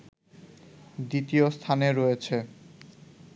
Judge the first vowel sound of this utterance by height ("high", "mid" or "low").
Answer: high